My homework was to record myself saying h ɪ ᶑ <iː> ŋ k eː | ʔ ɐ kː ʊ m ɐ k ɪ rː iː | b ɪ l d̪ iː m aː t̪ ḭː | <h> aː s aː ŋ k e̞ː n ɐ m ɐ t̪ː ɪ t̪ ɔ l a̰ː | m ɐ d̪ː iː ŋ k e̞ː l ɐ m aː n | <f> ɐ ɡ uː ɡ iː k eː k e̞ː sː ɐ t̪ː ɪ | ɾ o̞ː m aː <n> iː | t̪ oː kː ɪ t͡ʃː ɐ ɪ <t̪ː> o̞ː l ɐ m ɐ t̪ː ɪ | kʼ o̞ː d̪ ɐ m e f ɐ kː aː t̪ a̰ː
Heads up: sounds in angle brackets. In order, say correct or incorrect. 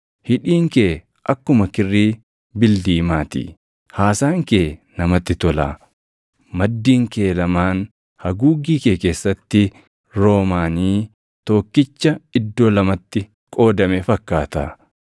correct, correct, incorrect: h, correct, incorrect: d̪ː

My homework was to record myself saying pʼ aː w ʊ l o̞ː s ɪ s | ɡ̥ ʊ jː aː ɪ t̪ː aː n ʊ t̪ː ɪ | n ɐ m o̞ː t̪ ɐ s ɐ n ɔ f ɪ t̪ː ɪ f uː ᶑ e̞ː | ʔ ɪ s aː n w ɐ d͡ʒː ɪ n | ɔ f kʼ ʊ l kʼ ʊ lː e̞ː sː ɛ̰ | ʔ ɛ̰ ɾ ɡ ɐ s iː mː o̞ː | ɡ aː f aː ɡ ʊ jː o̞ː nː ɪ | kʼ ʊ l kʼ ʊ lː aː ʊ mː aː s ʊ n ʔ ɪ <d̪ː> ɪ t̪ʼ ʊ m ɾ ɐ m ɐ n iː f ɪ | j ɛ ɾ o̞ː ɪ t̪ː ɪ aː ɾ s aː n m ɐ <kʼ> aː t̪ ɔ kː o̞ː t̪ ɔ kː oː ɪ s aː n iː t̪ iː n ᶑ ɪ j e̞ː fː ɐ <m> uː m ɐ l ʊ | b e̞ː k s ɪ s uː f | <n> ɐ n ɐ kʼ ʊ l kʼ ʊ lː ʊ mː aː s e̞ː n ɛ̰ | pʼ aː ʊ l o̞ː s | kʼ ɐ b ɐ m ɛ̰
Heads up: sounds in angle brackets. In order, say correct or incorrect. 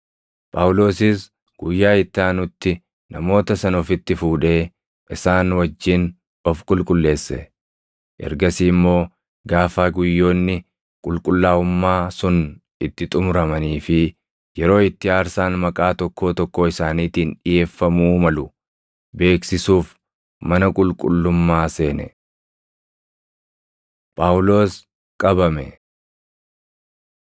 incorrect: t̪ː, correct, correct, incorrect: m

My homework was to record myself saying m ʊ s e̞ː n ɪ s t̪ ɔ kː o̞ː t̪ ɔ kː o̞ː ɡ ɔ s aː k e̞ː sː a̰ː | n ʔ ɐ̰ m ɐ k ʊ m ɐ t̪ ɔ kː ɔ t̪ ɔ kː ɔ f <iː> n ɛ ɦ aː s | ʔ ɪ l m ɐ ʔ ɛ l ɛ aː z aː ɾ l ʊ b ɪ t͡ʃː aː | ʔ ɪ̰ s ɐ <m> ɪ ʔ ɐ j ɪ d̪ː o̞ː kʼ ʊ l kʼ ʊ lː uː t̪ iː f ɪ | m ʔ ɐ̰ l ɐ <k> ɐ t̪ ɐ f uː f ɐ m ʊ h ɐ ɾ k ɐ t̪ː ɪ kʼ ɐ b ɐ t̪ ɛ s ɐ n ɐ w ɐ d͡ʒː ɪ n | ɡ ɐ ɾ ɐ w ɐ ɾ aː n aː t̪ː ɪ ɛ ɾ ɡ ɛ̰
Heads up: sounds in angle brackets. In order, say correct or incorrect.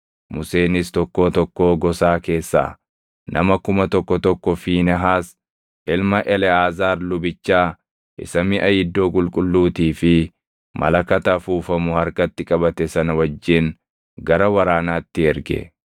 correct, correct, correct

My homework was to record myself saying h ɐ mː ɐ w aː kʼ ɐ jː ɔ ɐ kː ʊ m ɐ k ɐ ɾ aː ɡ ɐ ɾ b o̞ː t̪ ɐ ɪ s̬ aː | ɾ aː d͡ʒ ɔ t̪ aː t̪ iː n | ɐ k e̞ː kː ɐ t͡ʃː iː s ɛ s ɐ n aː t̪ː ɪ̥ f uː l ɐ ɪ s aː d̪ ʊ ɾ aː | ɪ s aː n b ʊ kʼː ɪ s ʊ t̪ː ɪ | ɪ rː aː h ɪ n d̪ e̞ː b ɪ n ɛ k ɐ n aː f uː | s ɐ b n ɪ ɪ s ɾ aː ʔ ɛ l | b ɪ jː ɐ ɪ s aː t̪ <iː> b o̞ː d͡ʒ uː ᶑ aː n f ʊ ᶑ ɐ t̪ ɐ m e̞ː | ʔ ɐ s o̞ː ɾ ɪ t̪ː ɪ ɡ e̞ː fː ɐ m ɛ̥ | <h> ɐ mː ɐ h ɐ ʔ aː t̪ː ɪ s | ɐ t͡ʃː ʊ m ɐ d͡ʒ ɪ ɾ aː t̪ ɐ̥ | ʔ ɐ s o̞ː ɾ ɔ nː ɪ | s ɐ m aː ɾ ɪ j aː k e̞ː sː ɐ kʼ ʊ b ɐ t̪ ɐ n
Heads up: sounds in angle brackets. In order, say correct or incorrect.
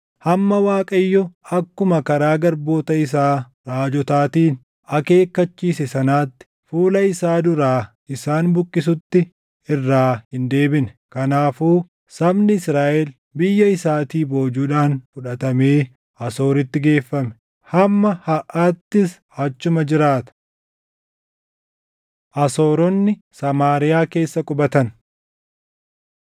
correct, correct

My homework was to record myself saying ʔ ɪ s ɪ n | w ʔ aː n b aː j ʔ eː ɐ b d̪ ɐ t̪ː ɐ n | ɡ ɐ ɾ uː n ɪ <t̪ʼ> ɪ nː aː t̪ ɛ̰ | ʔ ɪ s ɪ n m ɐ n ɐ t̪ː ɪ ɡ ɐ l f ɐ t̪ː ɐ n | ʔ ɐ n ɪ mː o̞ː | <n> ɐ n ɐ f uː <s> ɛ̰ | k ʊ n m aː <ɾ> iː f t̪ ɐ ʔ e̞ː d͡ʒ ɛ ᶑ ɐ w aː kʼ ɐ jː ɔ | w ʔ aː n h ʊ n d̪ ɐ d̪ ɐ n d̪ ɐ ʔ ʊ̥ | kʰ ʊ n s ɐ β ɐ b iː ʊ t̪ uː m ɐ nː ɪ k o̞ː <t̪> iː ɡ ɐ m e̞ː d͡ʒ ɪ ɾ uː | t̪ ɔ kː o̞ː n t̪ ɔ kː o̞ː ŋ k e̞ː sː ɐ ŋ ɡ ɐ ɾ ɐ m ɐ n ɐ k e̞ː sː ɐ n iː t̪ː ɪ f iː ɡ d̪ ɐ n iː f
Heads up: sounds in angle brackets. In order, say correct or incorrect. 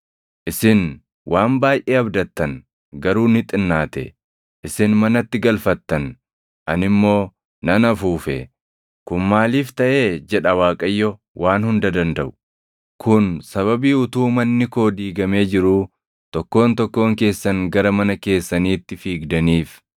correct, correct, incorrect: f, incorrect: l, incorrect: d̪

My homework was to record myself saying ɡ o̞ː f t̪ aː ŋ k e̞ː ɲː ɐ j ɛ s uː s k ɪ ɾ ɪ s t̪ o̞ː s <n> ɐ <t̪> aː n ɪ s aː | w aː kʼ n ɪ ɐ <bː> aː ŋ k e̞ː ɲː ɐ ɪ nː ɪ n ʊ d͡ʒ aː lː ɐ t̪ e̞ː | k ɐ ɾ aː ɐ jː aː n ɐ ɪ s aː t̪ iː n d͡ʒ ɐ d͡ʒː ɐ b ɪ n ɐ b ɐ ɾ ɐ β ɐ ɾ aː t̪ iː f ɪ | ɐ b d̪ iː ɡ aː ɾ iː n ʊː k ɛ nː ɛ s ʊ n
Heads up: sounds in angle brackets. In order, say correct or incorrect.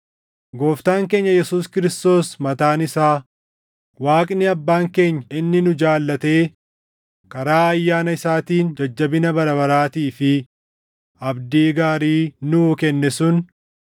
incorrect: m, correct, correct

